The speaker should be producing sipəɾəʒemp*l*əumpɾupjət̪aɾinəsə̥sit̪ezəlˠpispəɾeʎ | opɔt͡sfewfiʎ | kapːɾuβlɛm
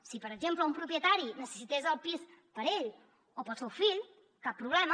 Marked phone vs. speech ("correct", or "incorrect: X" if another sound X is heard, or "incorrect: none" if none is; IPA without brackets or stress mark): correct